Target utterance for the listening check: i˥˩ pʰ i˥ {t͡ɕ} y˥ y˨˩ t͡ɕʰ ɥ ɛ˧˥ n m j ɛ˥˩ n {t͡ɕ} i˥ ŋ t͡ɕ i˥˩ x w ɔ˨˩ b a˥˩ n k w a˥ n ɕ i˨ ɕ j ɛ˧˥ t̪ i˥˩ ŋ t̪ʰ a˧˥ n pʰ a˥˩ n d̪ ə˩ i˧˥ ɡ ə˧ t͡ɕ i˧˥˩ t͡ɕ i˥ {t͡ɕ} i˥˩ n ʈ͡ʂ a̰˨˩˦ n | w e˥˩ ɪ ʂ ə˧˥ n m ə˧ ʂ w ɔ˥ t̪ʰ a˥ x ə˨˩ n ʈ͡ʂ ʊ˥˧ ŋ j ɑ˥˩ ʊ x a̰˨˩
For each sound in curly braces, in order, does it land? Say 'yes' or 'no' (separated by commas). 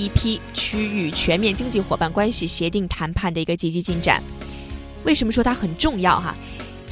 no, yes, yes